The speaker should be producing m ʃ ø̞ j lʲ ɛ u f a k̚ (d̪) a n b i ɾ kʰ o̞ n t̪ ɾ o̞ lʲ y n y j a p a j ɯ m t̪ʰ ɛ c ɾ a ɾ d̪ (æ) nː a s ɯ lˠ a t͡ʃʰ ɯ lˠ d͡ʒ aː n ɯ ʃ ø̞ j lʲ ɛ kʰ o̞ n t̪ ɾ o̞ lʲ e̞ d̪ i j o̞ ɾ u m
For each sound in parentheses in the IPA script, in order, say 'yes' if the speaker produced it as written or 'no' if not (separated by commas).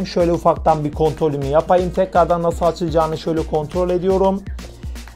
no, no